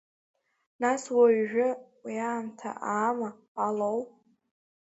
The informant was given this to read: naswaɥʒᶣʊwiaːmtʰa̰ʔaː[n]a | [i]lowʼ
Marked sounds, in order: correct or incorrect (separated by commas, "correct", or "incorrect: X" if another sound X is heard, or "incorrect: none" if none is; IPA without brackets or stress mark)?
incorrect: m, incorrect: a